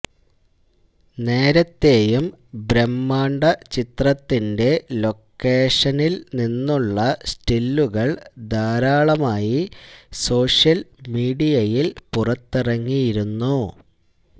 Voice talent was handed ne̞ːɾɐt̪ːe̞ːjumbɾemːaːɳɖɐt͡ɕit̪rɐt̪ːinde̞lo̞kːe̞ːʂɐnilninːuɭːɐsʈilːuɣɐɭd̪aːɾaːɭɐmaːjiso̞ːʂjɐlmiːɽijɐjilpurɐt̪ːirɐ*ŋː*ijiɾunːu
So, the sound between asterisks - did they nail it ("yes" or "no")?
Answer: yes